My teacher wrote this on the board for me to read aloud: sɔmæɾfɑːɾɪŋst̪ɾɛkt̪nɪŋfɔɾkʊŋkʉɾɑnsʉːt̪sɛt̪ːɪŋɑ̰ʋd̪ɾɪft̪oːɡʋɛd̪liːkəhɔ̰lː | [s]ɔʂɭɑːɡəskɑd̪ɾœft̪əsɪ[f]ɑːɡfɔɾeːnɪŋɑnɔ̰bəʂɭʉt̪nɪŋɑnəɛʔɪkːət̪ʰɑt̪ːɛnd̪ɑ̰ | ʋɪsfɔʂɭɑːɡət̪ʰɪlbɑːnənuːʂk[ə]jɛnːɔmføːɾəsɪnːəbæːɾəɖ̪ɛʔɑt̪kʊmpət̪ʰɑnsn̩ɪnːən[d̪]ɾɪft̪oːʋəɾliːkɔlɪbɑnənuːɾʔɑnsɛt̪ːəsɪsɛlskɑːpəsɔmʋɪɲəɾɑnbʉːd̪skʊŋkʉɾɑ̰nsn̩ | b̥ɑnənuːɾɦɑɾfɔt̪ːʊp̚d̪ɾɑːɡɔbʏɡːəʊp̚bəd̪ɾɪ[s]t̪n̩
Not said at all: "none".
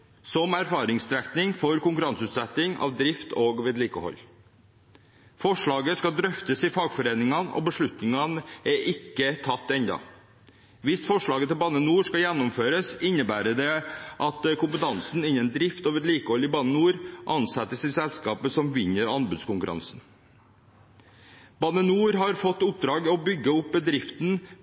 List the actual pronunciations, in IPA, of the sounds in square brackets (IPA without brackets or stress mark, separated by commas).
f, f, ɑ, d̪, f